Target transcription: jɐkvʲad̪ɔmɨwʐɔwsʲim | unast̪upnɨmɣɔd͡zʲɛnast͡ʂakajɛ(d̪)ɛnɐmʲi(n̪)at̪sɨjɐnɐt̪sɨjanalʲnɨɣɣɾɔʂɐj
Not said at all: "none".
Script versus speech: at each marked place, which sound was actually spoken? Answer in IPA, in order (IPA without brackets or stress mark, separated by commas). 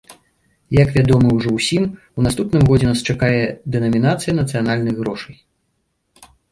d̪, n̪